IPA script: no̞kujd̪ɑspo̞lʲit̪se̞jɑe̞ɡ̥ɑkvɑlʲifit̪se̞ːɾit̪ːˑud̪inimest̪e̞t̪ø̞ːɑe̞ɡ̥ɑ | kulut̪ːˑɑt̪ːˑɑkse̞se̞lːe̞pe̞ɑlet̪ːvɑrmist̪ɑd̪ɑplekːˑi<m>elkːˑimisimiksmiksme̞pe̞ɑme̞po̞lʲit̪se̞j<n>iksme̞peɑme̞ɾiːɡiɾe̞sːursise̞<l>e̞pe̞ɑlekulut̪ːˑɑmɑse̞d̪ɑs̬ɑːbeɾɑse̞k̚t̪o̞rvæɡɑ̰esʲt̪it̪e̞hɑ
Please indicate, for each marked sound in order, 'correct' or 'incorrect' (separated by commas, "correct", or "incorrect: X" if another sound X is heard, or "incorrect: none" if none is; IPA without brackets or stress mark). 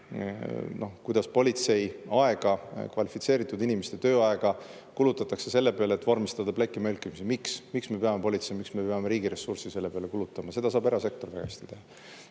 correct, incorrect: m, incorrect: lː